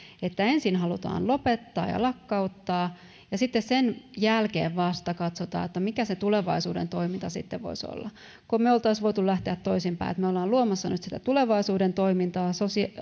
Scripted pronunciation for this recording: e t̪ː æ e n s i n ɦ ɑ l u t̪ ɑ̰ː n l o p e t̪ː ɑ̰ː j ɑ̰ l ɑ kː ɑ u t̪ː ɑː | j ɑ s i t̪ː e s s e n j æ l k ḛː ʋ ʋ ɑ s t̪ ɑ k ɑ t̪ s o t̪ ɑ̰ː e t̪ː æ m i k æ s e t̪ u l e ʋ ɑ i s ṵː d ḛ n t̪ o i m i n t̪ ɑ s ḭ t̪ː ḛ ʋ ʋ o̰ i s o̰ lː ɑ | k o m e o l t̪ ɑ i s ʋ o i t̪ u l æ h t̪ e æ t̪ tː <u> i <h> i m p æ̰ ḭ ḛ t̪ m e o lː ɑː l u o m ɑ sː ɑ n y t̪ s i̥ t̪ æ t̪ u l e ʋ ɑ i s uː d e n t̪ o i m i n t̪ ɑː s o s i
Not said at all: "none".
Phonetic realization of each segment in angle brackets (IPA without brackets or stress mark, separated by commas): o, s